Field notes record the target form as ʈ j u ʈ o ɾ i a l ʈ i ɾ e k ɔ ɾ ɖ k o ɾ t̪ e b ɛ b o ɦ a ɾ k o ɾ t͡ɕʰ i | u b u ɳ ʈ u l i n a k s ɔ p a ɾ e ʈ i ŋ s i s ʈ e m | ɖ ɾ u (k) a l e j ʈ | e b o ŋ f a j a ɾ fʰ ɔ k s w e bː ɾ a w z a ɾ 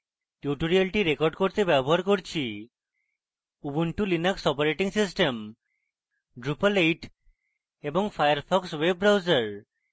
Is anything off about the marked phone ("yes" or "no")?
yes